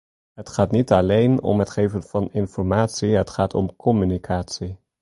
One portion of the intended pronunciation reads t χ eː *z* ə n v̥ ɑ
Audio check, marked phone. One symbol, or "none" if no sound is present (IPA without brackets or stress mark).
v